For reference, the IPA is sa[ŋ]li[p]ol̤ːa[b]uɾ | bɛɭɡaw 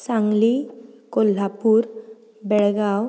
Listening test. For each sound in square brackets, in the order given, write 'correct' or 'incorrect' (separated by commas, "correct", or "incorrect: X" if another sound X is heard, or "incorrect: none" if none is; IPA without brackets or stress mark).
correct, incorrect: k, incorrect: p